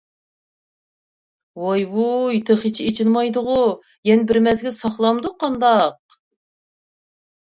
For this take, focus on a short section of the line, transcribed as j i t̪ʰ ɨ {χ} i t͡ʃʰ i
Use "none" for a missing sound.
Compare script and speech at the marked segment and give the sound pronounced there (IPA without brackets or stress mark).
χ